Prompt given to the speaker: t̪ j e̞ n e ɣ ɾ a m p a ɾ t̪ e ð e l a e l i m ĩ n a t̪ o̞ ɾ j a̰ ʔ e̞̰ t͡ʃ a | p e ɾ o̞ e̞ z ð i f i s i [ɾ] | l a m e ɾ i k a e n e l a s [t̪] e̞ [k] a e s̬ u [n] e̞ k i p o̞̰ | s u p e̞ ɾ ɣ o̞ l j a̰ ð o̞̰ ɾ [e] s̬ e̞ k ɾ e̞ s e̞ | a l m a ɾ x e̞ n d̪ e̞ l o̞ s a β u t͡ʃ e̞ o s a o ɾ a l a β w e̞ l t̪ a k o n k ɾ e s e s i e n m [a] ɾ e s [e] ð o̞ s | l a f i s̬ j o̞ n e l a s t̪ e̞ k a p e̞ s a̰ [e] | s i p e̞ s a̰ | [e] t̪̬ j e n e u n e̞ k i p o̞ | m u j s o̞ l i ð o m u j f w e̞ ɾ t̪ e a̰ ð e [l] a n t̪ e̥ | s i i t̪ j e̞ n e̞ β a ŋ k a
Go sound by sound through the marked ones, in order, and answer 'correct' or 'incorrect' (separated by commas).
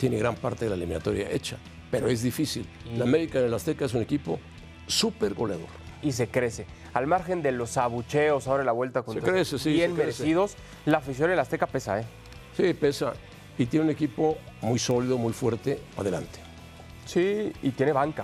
incorrect, correct, correct, correct, incorrect, incorrect, incorrect, correct, incorrect, correct